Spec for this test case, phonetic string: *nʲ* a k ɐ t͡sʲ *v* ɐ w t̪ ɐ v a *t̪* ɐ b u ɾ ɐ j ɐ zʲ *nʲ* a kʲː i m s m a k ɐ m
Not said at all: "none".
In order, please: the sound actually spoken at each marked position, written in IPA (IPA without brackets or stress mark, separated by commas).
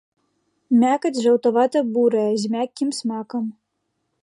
mʲ, ʐ, t̪, mʲ